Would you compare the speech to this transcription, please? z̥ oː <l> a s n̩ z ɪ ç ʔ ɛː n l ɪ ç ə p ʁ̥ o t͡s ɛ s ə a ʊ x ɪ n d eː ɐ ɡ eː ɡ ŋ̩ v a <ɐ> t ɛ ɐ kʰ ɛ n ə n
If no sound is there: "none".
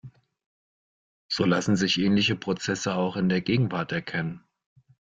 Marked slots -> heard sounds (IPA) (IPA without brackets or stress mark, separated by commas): l, ɐ